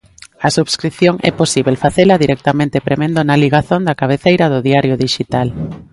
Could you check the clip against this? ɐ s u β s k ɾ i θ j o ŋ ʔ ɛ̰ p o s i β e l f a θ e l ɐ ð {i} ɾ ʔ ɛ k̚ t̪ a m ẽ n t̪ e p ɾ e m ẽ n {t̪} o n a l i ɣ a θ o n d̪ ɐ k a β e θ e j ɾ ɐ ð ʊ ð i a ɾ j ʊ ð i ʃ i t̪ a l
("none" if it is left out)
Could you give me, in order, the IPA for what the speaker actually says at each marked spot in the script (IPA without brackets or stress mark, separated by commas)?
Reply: i, d̪